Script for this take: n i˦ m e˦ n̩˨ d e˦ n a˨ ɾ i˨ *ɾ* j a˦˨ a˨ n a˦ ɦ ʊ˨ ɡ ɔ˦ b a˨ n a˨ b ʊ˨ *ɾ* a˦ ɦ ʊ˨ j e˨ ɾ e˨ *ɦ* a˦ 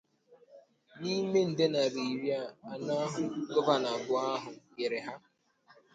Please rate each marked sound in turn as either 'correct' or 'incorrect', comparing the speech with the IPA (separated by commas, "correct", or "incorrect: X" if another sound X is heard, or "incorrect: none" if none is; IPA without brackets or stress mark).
correct, incorrect: none, correct